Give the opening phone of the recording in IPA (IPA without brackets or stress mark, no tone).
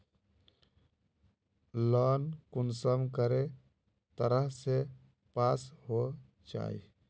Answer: l